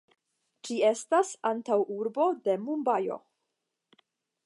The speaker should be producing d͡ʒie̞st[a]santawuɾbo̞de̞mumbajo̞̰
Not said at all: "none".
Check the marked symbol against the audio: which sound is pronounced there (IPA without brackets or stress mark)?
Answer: a